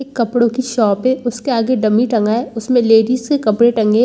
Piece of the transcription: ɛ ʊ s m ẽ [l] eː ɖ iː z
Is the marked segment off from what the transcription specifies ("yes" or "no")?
no